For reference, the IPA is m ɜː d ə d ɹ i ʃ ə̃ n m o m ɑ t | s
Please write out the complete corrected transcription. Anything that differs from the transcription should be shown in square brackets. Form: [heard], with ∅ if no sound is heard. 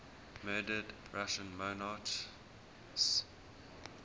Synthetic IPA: m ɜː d ə d ɹ [a] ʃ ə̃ n m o [n] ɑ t | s